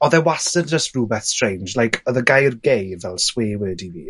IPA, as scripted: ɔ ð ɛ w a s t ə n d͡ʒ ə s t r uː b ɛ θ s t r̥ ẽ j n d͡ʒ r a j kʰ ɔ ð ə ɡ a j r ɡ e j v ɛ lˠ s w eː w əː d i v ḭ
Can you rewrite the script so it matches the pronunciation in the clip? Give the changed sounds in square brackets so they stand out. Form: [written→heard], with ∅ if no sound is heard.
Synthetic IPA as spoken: ɔ ð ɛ w a s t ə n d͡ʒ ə s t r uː b ɛ θ s t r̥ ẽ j n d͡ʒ [r→l] a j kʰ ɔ ð ə ɡ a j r ɡ e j v ɛ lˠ s w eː w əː d i v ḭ